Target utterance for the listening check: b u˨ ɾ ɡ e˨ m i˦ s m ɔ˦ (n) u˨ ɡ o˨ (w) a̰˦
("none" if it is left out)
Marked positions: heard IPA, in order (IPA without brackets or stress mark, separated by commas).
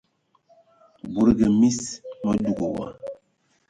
d, w